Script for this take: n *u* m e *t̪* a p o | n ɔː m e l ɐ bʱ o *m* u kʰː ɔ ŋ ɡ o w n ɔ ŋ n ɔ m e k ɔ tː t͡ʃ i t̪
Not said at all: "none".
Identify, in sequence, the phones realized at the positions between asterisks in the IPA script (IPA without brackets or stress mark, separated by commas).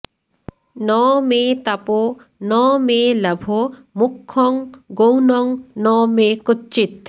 ɔ, t̪, m